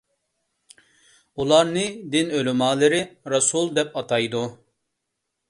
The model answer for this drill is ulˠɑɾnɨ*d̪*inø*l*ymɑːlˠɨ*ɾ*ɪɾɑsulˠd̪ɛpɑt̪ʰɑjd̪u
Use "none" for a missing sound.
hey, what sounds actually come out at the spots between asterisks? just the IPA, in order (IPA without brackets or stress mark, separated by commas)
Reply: d̪, l, ɾ